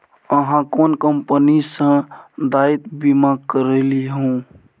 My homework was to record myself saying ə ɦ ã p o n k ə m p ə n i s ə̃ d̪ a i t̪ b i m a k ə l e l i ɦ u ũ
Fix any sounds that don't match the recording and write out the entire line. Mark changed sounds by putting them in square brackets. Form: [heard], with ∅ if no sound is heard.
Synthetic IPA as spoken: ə ɦ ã [k] o n k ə m p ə n i s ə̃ d̪ a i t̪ b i m a k ə [ɾ] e l i ɦ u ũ